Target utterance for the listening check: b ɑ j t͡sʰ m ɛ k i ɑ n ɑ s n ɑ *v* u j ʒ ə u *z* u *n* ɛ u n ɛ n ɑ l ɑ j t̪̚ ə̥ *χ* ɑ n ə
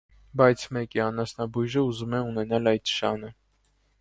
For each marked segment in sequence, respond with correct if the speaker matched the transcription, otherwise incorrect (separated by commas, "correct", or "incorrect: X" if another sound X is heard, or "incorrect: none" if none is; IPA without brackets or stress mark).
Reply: incorrect: b, correct, incorrect: m, incorrect: ʃ